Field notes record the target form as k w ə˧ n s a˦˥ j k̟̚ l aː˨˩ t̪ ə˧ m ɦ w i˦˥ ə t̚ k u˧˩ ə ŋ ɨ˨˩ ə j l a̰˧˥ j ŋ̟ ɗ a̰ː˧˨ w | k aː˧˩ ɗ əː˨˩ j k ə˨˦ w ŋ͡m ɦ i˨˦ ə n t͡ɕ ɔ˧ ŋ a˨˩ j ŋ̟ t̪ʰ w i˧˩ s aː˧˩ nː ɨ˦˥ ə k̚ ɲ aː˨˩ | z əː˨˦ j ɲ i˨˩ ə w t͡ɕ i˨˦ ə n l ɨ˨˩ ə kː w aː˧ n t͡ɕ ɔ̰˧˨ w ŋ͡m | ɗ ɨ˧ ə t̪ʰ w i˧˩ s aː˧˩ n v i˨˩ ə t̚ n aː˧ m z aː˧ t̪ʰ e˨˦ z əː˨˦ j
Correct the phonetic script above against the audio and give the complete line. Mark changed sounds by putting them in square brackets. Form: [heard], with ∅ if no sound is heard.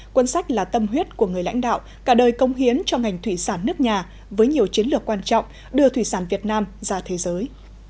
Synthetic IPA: k w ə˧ n s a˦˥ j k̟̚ l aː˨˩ t̪ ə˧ m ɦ w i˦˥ ə t̚ k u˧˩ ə ŋ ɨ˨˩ ə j l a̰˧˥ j ŋ̟ ɗ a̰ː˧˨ w | k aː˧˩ ɗ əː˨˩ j k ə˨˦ w ŋ͡m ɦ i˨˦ ə n t͡ɕ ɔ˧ ŋ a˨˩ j ŋ̟ t̪ʰ w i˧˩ s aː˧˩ nː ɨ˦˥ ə k̚ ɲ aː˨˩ | [v] əː˨˦ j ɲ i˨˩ ə w t͡ɕ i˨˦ ə n l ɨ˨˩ ə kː w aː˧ n t͡ɕ ɔ̰˧˨ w ŋ͡m | ɗ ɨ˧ ə t̪ʰ w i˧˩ s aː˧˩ n v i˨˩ ə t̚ n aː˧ m z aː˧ t̪ʰ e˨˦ z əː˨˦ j